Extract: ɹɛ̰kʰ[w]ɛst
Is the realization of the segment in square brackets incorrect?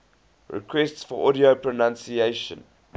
no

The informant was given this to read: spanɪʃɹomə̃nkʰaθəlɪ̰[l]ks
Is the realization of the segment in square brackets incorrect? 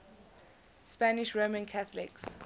yes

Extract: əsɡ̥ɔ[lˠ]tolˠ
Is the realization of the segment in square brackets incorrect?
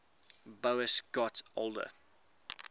yes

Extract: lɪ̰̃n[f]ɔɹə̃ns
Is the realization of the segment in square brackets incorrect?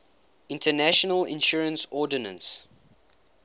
yes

